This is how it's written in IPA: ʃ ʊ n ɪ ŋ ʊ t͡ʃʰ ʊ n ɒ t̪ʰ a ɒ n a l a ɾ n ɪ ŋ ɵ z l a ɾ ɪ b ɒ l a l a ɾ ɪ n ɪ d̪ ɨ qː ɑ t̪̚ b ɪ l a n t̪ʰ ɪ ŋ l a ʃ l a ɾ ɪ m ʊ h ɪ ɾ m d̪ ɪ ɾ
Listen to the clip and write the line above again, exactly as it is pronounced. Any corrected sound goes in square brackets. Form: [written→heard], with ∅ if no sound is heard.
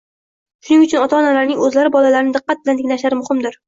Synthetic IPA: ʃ ʊ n ɪ ŋ ʊ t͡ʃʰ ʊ n ɒ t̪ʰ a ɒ n a l a ɾ n ɪ ŋ ɵ z l a ɾ ɪ b ɒ l a l a ɾ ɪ n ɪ d̪ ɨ qː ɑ t̪̚ b ɪ l a n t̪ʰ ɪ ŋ l a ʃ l a ɾ ɪ m ʊ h ɪ [ɾ→∅] m d̪ ɪ ɾ